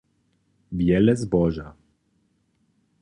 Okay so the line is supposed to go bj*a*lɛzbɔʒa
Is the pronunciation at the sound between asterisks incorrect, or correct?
incorrect